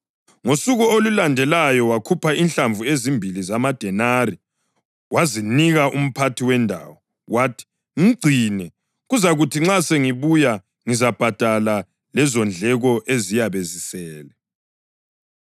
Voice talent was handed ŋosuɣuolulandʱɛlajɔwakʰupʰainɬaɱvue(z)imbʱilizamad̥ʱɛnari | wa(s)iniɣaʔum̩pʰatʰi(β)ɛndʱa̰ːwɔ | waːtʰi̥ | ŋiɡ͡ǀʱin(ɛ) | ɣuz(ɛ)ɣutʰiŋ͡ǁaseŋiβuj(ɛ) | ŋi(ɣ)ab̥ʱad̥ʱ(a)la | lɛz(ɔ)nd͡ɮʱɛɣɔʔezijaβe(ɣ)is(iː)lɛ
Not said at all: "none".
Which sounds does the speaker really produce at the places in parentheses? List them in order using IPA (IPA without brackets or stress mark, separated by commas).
z, z, w, ɛ, a, a, z, a, ɔ, z, ɛː